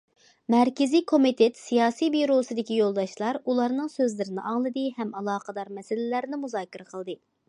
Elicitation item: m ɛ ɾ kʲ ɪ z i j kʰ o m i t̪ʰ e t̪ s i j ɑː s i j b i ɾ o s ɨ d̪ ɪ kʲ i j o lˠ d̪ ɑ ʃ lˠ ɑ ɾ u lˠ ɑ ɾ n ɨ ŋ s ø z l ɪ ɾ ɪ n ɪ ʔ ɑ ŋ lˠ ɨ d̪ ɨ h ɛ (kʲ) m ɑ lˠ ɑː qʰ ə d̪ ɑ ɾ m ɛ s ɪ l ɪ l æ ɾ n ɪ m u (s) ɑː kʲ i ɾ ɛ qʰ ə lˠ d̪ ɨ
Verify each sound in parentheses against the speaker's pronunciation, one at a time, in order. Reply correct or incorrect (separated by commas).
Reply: incorrect, incorrect